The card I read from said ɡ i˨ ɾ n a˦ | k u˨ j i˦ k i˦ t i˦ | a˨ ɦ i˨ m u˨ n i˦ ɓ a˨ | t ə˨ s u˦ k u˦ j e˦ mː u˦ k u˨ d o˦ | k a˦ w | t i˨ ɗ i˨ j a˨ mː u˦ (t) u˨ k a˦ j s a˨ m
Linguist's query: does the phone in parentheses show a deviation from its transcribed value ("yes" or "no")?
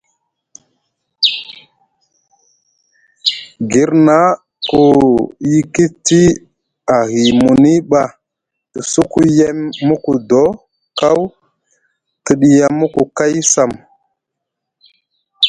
yes